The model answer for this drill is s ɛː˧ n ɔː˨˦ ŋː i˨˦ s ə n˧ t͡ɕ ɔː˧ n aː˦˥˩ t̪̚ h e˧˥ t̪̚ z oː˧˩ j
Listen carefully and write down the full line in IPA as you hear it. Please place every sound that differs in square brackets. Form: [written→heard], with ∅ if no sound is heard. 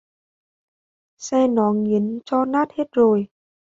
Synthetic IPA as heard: s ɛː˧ n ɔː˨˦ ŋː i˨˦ [s→∅] ə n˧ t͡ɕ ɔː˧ n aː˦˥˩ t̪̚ h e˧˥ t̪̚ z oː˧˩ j

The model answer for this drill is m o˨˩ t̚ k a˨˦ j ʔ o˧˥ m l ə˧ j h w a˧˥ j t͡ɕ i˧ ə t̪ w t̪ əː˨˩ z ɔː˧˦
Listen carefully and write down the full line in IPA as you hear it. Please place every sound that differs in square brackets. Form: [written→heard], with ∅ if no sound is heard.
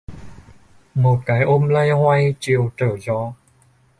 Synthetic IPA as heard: m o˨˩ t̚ k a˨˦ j ʔ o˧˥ m l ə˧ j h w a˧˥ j t͡ɕ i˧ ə [t̪→∅] w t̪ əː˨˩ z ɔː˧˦

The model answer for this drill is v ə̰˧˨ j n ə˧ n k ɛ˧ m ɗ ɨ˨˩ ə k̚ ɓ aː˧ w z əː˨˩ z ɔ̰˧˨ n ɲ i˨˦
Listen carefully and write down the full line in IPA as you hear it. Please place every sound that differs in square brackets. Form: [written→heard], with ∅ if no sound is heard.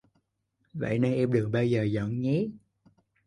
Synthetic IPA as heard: v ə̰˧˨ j n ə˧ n [k→ʔ] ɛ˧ m ɗ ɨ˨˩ ə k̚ ɓ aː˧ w z əː˨˩ z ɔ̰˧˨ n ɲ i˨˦

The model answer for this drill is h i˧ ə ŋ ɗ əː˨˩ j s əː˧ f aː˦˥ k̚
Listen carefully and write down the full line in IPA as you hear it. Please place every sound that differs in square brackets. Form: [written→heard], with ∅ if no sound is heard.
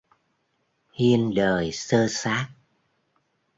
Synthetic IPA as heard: h i˧ ə [ŋ→n] ɗ əː˨˩ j s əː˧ [f→s] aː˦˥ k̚

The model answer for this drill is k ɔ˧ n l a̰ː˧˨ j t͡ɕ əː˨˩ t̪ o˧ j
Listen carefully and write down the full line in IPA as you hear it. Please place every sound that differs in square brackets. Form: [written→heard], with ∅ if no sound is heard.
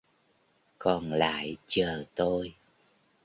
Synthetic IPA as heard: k [ɔ˧→ɔ˨˩] n l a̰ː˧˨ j t͡ɕ əː˨˩ t̪ o˧ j

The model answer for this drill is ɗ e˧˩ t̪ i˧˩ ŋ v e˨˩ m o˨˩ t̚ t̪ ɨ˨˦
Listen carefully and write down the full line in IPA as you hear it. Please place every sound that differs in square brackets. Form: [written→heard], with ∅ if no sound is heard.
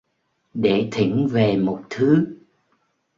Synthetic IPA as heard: ɗ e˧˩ [t̪→t̪ʰ] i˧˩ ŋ v e˨˩ m o˨˩ t̚ [t̪→t̪ʰ] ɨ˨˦

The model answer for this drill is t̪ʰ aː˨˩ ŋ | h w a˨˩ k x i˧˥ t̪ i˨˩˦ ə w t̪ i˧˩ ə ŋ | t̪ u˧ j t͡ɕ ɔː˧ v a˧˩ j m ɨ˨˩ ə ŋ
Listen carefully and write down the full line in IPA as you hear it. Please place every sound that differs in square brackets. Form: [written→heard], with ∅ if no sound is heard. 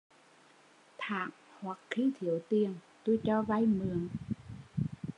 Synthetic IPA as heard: t̪ʰ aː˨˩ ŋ | h w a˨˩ k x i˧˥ [t̪→t̪ʰ] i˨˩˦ ə w t̪ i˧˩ ə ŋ | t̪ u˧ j t͡ɕ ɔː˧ v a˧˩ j m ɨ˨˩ ə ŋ

